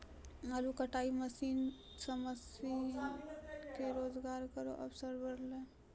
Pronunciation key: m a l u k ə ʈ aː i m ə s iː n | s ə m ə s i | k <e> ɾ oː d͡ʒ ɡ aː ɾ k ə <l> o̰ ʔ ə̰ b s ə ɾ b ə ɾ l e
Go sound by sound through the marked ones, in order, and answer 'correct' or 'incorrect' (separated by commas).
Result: correct, incorrect